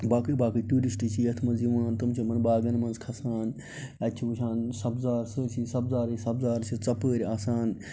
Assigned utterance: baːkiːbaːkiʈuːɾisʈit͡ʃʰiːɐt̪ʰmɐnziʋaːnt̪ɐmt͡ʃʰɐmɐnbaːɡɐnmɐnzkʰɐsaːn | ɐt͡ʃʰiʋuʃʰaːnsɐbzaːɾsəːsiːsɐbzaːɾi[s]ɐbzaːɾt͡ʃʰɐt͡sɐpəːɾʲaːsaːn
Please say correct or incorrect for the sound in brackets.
correct